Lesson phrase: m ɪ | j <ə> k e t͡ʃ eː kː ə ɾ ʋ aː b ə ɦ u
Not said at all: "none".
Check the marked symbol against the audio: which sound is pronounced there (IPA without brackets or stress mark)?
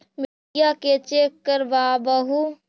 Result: a